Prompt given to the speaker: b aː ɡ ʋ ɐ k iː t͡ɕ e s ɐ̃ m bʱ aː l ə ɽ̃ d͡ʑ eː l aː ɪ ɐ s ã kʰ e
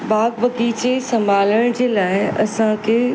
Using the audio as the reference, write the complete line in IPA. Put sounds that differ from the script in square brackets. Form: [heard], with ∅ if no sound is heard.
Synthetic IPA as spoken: b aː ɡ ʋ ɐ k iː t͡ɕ e s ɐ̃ m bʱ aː l ə ɽ̃ d͡ʑ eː l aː ɪ ɐ s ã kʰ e